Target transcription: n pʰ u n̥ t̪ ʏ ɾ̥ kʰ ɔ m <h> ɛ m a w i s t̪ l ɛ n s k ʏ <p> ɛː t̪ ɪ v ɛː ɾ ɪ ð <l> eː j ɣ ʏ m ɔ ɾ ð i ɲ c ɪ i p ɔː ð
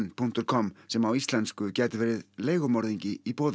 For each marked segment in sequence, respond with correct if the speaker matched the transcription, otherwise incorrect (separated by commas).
incorrect, incorrect, correct